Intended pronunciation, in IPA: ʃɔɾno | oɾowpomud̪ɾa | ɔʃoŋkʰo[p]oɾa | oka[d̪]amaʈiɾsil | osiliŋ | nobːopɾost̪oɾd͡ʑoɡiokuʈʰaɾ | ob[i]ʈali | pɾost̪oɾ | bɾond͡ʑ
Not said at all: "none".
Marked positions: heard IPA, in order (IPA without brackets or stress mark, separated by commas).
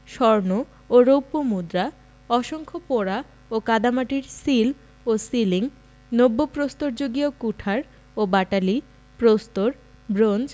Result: p, d̪, a